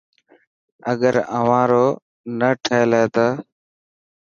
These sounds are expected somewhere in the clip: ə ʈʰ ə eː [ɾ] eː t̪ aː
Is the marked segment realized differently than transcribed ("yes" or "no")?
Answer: yes